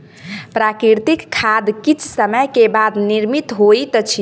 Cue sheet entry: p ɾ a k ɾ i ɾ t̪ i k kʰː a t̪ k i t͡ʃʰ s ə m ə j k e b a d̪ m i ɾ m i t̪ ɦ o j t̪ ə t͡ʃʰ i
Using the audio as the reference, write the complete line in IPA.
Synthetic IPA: p ɾ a k ɾ i ɾ t̪ i k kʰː a d̪ k i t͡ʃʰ s ə m ə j k e b a d̪ n i ɾ m i t̪ ɦ o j t̪ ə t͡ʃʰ i